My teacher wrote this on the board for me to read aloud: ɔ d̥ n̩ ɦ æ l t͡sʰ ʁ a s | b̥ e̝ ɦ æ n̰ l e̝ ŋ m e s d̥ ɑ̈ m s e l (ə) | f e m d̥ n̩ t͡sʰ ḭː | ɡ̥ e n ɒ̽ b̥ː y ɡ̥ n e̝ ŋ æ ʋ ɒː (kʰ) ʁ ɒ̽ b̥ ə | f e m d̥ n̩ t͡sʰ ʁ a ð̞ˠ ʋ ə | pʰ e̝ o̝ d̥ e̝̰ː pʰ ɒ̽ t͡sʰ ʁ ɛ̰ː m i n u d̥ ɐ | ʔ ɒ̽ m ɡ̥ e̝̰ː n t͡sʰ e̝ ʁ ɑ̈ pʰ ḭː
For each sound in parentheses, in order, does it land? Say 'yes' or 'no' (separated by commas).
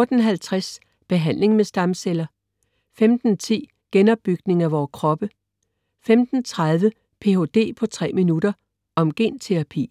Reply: no, yes